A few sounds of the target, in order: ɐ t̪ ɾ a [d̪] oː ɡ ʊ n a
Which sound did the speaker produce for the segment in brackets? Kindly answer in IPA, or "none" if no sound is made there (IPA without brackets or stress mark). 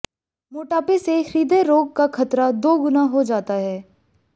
d̪